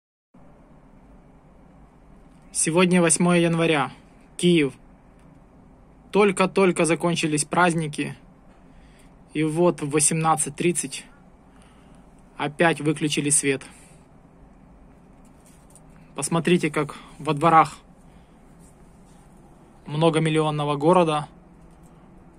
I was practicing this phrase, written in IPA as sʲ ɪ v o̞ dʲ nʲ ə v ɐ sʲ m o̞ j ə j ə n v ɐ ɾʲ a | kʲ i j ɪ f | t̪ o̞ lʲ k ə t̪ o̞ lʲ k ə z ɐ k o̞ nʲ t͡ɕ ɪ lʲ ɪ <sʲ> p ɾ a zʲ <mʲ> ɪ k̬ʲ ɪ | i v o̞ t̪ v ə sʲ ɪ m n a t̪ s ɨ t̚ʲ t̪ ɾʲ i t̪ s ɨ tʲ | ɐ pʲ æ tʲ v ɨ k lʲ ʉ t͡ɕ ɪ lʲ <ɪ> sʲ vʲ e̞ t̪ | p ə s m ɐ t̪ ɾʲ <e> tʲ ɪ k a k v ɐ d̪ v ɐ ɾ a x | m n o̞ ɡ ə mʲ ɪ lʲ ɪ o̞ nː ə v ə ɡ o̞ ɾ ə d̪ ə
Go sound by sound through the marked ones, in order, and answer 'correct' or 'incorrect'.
correct, incorrect: nʲ, correct, incorrect: i

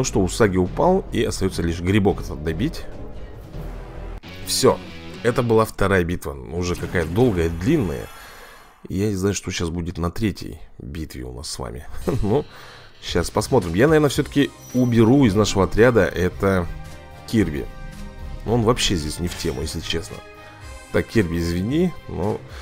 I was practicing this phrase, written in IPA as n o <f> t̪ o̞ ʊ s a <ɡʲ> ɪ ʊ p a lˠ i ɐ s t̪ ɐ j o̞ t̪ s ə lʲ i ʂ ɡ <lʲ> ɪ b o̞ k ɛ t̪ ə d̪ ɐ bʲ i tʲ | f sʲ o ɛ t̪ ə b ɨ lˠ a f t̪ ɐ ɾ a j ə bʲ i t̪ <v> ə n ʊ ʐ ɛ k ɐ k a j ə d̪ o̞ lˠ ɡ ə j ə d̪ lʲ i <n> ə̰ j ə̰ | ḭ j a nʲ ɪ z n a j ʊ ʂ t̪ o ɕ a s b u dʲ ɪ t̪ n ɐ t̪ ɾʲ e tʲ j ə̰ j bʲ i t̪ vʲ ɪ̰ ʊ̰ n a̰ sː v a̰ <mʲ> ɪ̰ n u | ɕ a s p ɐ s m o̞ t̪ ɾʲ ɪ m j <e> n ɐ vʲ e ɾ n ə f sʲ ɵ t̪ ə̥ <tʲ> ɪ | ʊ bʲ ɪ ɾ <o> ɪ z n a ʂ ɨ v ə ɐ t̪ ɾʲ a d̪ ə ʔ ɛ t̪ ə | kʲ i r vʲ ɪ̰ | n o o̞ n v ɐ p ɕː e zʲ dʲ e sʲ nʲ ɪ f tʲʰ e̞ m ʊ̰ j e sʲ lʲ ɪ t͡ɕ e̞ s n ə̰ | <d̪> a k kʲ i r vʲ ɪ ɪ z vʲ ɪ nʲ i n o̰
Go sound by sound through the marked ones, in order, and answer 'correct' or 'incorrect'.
incorrect: ʂ, correct, incorrect: ɾʲ, correct, incorrect: nː, correct, incorrect: a, incorrect: kʲ, incorrect: u, incorrect: t̪

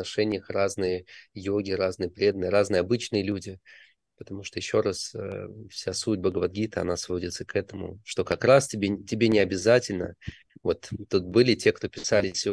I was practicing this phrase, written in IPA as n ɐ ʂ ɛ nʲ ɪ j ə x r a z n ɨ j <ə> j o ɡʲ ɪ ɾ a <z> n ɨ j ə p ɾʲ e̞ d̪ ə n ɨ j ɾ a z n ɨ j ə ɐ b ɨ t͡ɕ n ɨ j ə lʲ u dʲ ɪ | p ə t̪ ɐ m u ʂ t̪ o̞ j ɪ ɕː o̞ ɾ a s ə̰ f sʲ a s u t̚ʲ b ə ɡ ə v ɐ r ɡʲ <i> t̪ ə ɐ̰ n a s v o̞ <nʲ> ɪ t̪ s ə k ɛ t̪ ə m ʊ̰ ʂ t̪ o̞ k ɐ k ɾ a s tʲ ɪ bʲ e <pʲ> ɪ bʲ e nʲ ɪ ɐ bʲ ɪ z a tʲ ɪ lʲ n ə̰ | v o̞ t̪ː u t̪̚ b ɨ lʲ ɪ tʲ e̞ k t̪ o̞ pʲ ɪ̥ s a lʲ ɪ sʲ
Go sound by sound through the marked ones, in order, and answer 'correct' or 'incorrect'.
correct, correct, correct, incorrect: dʲ, incorrect: tʲ

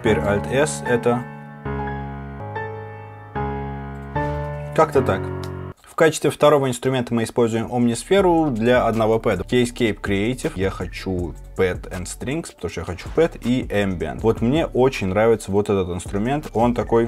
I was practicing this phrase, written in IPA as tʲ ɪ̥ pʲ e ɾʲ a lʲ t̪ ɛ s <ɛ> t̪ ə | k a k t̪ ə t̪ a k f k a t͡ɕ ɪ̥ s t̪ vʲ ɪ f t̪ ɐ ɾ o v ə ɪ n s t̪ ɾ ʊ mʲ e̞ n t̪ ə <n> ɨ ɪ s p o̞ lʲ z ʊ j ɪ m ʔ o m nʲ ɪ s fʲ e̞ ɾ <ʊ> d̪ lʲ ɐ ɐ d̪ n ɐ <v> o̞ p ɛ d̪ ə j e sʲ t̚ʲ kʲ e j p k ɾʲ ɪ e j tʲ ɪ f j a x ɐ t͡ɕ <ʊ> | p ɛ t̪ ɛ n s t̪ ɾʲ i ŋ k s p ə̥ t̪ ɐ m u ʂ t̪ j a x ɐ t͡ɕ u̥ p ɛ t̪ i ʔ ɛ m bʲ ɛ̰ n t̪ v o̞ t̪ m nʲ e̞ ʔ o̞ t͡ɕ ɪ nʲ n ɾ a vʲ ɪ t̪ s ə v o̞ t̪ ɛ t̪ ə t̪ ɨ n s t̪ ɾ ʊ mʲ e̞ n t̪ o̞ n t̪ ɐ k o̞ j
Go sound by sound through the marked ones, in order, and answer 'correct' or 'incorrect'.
correct, incorrect: m, correct, correct, incorrect: u

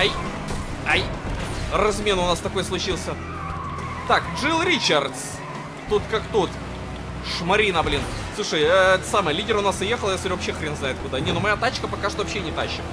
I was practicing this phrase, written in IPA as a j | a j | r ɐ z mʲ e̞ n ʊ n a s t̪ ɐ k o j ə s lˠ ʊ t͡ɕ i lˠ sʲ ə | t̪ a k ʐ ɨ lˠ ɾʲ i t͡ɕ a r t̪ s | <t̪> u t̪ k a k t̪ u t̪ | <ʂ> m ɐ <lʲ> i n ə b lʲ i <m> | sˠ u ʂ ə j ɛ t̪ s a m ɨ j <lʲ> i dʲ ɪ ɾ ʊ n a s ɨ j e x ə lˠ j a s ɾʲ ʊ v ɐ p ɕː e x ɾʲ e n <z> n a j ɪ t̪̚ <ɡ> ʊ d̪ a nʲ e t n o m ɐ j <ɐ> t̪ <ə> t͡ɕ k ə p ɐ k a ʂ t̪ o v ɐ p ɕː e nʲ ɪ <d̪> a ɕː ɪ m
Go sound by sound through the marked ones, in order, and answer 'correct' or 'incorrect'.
correct, correct, incorrect: ɾʲ, incorrect: n, correct, correct, incorrect: k, incorrect: a, incorrect: a, incorrect: t̪

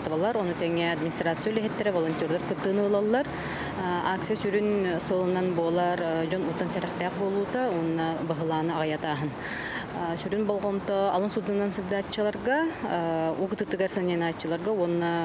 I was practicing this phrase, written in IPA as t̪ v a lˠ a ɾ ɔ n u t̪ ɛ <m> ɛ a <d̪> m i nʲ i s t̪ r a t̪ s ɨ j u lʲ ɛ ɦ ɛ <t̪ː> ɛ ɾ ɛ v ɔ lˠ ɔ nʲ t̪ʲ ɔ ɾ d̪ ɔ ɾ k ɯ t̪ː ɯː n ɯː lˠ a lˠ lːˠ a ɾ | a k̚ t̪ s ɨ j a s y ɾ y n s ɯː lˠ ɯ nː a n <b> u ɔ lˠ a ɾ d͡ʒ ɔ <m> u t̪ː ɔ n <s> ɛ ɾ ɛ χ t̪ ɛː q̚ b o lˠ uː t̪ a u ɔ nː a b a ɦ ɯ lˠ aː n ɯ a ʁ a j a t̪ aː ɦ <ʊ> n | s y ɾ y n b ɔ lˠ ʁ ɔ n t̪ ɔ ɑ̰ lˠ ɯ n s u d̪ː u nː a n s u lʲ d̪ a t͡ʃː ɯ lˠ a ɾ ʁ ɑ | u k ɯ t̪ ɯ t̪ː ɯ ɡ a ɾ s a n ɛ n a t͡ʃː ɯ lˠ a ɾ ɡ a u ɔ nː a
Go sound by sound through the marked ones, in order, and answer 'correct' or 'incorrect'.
incorrect: ŋ, correct, correct, correct, incorrect: n, correct, incorrect: ɯ

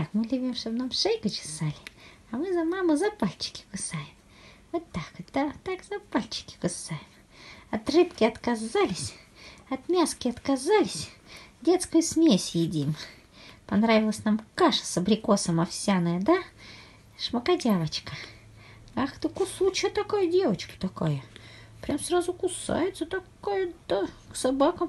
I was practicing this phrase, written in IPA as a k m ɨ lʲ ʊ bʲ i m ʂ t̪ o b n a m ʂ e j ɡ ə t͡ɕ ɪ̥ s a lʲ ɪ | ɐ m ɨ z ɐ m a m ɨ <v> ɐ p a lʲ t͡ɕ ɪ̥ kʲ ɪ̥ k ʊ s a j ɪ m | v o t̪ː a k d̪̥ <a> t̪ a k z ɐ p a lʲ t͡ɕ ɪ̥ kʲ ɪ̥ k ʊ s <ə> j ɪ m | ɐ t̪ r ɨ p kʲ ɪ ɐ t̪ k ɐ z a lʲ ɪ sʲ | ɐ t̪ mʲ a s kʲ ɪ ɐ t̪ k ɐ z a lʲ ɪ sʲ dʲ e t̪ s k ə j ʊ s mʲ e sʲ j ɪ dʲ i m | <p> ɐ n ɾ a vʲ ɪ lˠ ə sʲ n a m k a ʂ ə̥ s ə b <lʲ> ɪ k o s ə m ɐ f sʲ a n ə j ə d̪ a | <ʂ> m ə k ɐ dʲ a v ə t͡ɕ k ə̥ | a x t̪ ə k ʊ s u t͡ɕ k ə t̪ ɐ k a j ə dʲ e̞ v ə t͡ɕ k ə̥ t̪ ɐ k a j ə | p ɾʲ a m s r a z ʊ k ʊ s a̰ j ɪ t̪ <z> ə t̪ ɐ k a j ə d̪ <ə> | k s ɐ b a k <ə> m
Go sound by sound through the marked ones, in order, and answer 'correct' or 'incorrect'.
incorrect: z, correct, incorrect: a, correct, incorrect: ɾʲ, correct, incorrect: s, incorrect: a, correct

